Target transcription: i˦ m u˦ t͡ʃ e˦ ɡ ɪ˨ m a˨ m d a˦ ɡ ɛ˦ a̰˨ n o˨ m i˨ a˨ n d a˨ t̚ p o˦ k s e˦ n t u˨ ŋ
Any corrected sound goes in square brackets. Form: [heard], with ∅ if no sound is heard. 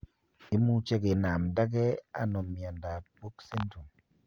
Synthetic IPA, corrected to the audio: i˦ m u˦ t͡ʃ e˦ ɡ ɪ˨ [n] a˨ m d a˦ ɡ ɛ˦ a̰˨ n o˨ m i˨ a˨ n d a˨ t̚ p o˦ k s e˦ n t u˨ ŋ